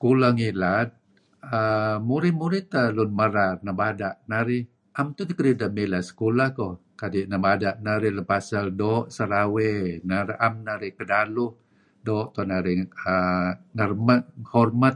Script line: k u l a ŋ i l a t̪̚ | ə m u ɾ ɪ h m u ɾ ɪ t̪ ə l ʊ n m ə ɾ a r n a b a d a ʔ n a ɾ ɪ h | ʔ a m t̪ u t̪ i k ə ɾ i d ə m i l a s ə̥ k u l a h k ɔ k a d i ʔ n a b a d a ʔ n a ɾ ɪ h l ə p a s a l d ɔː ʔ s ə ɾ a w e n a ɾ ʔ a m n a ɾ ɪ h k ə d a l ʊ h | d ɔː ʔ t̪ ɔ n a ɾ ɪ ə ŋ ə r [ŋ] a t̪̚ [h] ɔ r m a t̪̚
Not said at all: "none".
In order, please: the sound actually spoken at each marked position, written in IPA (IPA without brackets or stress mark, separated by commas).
m, h